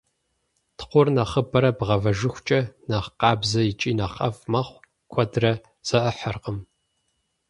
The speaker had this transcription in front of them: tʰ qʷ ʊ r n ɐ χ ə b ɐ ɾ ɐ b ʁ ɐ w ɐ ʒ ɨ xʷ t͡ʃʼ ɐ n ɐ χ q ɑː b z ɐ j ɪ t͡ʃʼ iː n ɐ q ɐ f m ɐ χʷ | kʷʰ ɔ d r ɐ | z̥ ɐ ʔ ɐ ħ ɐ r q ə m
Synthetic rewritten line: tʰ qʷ ʊ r n ɐ χ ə b ɐ ɾ ɐ b ʁ ɐ v ɐ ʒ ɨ xʷ t͡ʃʼ ɐ n ɐ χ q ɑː b z ɐ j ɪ t͡ʃʼ iː n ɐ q ɐ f m ɐ χʷ | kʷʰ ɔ d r ɐ | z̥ ɐ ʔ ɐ ħ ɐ r q ə m